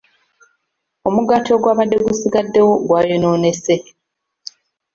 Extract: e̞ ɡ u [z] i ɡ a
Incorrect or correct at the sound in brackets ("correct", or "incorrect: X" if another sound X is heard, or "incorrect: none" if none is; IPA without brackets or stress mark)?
incorrect: s